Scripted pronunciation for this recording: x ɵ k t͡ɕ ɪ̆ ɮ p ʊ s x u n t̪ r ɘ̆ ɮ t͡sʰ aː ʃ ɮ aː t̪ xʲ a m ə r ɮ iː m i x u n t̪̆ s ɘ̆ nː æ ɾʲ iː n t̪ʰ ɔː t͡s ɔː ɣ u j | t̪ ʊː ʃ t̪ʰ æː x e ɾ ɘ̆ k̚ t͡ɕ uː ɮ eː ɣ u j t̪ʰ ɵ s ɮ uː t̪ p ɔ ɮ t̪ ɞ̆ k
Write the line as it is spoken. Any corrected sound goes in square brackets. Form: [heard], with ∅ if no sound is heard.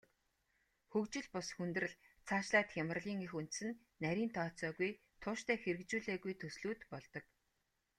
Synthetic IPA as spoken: x ɵ k t͡ɕ ɪ̆ ɮ p ʊ s x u n t̪ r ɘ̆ ɮ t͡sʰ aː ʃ ɮ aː t̪ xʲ a m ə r ɮ iː [ŋ] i x u n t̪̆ s ɘ̆ nː æ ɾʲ iː n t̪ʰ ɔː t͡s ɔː ɣ u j | [t̪ʰ] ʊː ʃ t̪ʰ æː x e ɾ ɘ̆ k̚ t͡ɕ uː ɮ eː ɣ u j t̪ʰ ɵ s ɮ uː t̪ p ɔ ɮ t̪ ɞ̆ k